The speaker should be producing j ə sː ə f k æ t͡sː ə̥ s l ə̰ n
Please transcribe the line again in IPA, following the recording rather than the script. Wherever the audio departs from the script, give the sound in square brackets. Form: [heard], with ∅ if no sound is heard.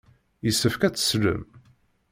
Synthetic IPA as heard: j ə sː ə f k æ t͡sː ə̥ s l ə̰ [m]